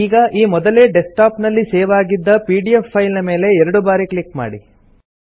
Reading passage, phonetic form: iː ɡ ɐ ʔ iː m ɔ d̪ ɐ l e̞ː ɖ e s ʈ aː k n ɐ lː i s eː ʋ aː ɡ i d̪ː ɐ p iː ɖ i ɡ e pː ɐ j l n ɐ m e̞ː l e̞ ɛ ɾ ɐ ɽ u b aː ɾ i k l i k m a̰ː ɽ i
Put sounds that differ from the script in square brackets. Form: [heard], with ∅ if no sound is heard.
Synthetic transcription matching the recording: iː ɡ ɐ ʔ iː m ɔ d̪ ɐ l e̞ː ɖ e s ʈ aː [p] n ɐ lː i s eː ʋ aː ɡ i d̪ː ɐ p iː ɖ i [∅] e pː ɐ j l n ɐ m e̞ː l e̞ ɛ ɾ ɐ ɽ u b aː ɾ i k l i k m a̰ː ɽ i